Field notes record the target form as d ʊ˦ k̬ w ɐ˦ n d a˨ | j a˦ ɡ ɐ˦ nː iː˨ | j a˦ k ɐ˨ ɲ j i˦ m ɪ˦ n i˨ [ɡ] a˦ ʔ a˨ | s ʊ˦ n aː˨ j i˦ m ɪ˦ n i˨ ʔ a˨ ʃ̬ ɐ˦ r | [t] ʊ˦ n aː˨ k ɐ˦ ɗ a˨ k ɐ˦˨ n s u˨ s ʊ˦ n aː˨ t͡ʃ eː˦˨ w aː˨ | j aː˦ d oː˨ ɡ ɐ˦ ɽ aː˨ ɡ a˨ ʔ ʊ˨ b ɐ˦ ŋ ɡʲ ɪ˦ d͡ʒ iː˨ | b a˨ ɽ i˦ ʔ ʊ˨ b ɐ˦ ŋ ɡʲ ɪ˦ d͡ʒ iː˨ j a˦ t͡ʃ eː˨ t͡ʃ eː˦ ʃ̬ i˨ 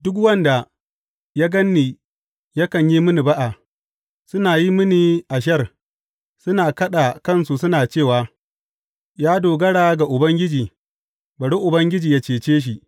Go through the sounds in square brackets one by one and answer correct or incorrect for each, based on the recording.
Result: incorrect: b, incorrect: s

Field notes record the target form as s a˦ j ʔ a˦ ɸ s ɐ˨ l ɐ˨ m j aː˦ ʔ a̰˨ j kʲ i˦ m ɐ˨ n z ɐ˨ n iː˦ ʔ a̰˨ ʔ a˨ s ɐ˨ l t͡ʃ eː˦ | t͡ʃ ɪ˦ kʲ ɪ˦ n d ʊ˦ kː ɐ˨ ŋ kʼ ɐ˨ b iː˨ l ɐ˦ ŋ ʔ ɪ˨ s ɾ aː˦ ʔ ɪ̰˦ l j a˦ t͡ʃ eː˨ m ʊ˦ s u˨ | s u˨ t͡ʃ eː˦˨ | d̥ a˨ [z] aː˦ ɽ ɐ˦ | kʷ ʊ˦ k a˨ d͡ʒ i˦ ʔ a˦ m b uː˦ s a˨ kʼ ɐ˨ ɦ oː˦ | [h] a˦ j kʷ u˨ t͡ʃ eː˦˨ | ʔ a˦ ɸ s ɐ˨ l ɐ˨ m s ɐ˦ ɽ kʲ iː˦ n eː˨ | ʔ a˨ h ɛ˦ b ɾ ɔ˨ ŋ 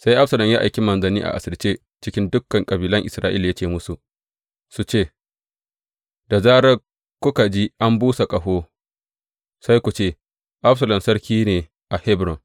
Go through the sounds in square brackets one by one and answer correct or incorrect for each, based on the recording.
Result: correct, incorrect: s

